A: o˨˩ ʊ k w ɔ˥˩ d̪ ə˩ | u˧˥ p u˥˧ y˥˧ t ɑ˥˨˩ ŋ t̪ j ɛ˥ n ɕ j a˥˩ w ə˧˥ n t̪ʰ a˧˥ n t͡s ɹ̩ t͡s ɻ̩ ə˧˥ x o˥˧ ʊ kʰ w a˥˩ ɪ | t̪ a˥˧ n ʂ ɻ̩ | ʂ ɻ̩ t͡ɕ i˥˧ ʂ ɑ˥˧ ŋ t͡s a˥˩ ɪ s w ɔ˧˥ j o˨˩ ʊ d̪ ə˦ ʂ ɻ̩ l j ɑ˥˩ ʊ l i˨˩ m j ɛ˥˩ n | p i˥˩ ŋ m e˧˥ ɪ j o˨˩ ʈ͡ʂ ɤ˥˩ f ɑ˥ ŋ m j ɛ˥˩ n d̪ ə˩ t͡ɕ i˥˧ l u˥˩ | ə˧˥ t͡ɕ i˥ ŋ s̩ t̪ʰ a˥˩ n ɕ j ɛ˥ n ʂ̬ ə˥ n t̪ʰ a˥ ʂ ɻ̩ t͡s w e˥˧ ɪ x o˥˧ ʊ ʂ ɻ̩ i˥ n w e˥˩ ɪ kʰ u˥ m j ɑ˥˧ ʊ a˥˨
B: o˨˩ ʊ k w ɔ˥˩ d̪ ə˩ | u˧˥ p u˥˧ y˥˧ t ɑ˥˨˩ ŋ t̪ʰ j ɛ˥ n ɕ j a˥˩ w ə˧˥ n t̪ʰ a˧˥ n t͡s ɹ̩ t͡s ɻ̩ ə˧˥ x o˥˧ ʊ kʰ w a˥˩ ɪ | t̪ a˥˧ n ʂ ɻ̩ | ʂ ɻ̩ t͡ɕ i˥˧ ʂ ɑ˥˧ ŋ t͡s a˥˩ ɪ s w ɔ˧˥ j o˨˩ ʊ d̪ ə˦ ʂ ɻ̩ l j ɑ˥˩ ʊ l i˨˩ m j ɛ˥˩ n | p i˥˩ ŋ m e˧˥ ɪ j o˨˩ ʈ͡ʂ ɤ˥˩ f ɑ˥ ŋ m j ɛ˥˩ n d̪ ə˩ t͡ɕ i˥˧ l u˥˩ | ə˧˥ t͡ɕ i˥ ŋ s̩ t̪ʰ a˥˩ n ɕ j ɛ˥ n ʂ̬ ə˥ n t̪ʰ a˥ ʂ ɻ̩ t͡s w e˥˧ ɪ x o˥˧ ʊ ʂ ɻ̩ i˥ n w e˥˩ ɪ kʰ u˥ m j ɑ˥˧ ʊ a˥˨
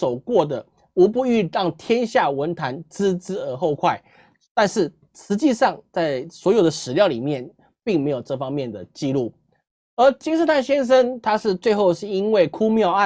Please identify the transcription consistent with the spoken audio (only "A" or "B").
B